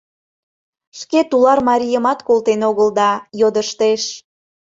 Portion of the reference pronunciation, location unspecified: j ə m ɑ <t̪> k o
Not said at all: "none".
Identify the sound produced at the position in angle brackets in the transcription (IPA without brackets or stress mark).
t̪